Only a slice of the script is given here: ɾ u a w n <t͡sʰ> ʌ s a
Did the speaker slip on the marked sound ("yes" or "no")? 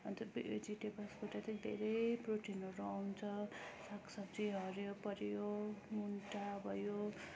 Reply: no